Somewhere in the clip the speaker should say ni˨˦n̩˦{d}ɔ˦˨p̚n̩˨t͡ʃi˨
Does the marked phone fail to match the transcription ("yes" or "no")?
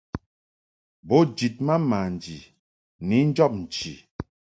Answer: yes